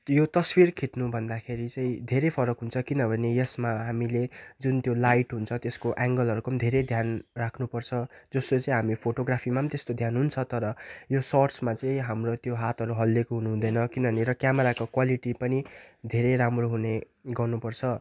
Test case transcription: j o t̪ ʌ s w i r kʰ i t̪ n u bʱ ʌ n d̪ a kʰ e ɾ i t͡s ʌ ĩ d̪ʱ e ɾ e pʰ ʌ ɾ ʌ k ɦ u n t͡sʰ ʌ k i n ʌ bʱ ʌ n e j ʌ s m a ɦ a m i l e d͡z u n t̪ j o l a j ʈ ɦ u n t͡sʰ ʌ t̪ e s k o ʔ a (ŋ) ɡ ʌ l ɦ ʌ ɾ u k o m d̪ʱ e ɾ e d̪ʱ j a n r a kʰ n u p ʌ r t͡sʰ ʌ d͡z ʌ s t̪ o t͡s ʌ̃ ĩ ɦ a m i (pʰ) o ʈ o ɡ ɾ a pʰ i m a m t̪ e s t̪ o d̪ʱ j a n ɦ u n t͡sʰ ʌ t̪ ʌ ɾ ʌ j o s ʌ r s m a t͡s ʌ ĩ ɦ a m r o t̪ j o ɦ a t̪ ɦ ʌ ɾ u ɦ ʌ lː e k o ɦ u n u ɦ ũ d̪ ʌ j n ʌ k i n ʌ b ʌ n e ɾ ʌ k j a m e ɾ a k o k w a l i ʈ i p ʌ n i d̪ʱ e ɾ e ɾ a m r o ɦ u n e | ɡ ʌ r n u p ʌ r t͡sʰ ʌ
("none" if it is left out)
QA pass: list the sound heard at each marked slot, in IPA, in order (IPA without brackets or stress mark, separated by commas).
ŋ, pʰ